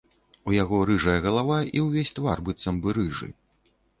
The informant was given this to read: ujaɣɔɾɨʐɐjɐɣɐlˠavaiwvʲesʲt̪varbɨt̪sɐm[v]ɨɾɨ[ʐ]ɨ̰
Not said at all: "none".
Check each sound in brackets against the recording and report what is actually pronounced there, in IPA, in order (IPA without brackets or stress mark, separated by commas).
b, ʐ